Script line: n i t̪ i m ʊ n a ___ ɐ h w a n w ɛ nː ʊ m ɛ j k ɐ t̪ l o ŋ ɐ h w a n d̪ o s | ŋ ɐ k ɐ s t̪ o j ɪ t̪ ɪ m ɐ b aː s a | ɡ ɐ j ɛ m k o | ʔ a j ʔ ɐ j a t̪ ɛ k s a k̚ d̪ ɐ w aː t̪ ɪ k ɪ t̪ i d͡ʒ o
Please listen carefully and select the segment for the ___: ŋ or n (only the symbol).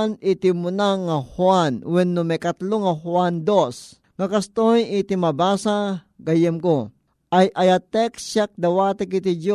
ŋ